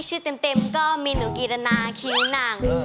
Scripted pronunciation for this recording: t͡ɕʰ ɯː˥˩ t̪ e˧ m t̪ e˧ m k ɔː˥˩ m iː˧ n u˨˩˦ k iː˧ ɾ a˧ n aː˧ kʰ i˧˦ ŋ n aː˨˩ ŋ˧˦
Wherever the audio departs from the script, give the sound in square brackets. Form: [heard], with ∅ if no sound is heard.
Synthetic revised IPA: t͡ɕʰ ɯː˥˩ t̪ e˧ m t̪ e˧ m k ɔː˥˩ m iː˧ n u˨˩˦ k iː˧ ɾ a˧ n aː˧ kʰ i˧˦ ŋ n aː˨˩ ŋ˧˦